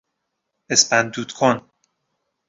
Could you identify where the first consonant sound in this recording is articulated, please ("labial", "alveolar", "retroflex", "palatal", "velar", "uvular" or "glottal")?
alveolar